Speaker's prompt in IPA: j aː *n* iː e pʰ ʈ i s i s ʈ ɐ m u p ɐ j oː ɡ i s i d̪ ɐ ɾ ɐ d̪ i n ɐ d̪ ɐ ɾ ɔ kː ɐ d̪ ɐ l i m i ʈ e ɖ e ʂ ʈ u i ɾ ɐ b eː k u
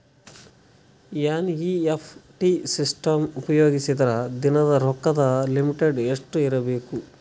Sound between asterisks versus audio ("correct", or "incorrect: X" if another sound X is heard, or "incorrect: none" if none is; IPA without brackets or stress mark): correct